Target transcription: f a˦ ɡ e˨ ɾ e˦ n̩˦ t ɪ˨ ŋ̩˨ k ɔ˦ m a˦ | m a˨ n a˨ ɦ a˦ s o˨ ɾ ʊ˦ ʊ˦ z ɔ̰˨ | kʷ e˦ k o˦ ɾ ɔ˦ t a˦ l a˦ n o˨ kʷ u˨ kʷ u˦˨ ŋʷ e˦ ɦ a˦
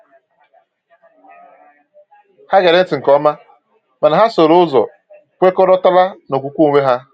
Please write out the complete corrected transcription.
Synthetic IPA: h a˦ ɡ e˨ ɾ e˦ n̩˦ t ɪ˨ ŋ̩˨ k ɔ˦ m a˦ | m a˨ n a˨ ɦ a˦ s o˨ ɾ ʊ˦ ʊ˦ z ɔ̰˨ | kʷ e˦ k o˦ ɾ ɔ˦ t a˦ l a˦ n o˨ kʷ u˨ kʷ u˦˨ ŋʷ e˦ ɦ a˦

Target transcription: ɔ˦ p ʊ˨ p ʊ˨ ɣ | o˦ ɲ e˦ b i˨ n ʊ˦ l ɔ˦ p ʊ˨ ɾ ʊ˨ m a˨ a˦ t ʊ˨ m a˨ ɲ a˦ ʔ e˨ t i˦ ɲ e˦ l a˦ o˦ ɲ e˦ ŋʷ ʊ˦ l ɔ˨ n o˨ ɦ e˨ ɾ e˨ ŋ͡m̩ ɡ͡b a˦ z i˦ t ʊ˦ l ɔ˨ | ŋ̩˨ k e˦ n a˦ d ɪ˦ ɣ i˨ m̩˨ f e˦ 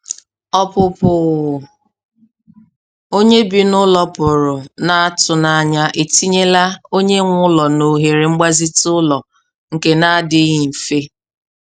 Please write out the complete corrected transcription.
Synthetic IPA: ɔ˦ p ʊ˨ p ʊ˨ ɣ | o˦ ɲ e˦ b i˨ n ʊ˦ l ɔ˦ p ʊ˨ ɾ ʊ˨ n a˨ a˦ t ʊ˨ n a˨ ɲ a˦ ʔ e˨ t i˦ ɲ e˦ l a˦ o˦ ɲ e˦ ŋʷ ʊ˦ l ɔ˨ n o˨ ɦ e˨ ɾ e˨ ŋ͡m̩ ɡ͡b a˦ z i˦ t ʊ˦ l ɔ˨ | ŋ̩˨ k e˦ n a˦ d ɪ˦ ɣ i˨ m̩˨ f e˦

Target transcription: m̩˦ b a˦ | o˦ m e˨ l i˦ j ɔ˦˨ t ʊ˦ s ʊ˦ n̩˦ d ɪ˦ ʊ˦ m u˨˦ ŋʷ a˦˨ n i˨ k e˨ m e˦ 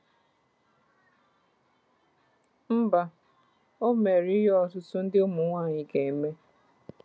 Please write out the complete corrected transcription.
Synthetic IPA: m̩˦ b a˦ | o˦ m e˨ ɾ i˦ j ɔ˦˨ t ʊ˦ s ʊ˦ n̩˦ d ɪ˦ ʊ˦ m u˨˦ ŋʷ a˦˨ ɲ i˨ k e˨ m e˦

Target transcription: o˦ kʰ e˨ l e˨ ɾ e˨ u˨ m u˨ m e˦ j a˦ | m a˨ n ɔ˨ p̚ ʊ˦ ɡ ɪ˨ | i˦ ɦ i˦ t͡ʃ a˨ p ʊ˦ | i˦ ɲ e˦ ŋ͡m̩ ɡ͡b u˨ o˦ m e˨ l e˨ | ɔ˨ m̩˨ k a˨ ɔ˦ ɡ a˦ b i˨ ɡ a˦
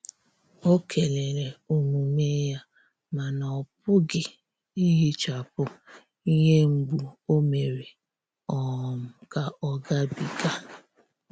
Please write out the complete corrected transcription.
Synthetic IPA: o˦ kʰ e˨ l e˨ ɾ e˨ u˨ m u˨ m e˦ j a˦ | m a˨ n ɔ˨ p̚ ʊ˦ ɡ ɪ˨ | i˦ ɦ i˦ t͡ʃ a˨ p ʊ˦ | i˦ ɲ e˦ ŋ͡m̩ ɡ͡b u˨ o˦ m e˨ ɾ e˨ | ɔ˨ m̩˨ k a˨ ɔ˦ ɡ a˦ b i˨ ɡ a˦

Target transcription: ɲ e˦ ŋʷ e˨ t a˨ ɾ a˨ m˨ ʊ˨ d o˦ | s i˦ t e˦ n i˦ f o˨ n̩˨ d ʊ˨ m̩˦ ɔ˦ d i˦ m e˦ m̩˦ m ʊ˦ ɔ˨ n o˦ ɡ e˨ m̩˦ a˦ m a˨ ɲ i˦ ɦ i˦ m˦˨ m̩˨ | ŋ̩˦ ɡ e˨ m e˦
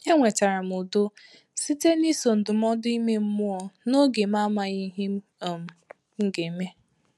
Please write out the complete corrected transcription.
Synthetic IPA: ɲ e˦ ŋʷ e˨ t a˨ ɾ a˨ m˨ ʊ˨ d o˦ | s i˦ t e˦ n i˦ s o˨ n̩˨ d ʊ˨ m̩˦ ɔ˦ d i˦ m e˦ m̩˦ m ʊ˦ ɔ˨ n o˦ ɡ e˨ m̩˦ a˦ m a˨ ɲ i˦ ɦ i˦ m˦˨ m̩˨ | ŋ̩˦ ɡ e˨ m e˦

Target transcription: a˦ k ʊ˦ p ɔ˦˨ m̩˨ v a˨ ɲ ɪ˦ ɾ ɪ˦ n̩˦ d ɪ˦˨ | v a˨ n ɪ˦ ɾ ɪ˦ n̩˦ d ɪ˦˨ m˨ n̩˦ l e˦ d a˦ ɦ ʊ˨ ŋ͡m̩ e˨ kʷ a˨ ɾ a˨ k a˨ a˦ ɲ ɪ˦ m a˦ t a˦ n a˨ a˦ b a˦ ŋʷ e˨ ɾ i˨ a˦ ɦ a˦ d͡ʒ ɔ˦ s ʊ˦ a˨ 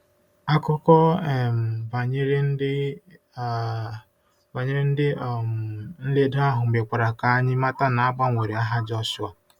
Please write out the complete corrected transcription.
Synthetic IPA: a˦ k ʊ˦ k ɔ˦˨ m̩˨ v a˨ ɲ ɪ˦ ɾ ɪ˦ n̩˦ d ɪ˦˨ | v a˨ ɲ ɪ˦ ɾ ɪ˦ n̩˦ d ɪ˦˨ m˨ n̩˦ l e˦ d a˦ ɦ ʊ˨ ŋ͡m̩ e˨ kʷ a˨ ɾ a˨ k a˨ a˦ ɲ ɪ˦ m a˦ t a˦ n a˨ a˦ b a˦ ŋʷ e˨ ɾ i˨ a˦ ɦ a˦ d͡ʒ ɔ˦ s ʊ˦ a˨

